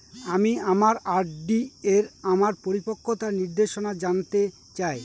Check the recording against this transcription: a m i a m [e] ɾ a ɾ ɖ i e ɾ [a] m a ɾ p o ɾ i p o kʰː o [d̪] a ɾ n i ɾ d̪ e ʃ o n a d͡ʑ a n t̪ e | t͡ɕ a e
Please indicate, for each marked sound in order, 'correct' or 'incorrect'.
incorrect: a, correct, incorrect: t̪

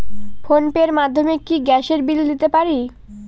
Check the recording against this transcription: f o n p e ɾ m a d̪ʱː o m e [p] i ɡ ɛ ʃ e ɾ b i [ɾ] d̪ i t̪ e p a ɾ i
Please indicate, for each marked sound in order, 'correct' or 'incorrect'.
incorrect: k, incorrect: l

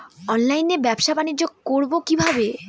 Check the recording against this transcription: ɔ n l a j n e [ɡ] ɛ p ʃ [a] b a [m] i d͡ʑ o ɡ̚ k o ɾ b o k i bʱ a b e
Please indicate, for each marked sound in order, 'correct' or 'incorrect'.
incorrect: b, correct, incorrect: n

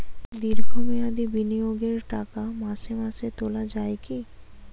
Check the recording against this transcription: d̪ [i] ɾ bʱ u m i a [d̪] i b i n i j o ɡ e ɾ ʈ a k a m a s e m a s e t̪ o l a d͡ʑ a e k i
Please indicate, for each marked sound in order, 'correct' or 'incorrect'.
correct, correct

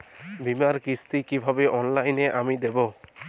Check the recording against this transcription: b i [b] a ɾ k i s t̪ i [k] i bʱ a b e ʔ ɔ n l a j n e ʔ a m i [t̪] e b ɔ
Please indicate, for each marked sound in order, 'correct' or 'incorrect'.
incorrect: m, correct, incorrect: d̪

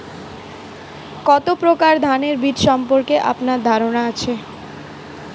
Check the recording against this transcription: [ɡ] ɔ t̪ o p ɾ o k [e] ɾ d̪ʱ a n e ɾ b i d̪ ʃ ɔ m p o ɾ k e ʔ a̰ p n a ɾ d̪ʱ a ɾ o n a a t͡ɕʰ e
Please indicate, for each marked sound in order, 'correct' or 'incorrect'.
incorrect: k, incorrect: a

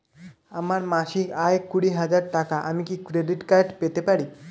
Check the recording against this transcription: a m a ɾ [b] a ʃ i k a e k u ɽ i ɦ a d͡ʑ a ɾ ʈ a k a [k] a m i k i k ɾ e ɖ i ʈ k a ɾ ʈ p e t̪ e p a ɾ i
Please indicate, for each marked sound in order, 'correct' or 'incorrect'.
incorrect: m, incorrect: ʔ

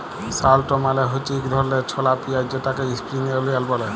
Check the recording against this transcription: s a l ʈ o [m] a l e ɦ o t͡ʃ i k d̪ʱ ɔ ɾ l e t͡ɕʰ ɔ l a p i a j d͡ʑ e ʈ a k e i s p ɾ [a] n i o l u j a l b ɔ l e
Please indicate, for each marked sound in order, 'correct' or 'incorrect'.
correct, incorrect: i

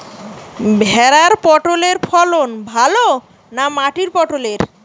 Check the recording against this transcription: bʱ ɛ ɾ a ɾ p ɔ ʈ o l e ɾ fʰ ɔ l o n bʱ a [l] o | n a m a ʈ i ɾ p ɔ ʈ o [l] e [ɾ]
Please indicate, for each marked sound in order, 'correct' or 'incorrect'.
correct, correct, correct

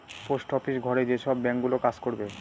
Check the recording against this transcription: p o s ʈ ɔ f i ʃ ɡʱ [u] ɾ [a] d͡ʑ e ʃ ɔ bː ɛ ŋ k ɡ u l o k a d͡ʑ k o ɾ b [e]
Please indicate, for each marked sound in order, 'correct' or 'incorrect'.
incorrect: ɔ, incorrect: e, correct

